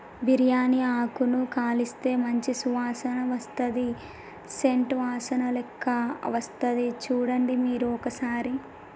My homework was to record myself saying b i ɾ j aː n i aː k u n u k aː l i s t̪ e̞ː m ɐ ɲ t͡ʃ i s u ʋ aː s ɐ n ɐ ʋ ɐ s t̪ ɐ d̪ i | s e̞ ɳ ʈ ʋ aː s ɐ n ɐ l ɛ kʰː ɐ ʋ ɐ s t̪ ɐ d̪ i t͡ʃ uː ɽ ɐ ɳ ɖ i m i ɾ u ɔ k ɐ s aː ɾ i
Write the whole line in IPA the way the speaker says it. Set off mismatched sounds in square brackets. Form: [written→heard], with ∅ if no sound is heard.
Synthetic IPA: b i ɾ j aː n i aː k u n u k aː l i s t̪ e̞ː m ɐ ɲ t͡ʃ i s u ʋ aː s ɐ n ɐ ʋ ɐ s t̪ ɐ d̪ i | s e̞ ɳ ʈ ʋ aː s ɐ n ɐ l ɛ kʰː ɐ ʋ ɐ s t̪ ɐ d̪ i t͡ʃ uː ɽ ɐ ɳ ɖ i m [i→iː] ɾ u ɔ k ɐ s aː ɾ i